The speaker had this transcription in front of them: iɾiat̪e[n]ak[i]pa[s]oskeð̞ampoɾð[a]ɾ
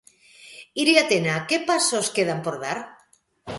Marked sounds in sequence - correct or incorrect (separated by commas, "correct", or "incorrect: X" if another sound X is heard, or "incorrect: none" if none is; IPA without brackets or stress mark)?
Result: correct, incorrect: e, correct, correct